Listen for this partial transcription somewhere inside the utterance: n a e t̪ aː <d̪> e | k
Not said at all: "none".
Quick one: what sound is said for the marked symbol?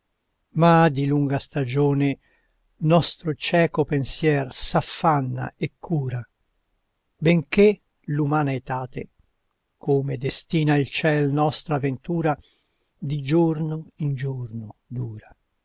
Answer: t̪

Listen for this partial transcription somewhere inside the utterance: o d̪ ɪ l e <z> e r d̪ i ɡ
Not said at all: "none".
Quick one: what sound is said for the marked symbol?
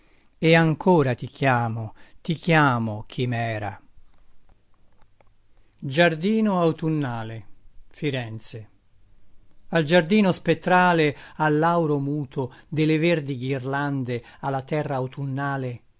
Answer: v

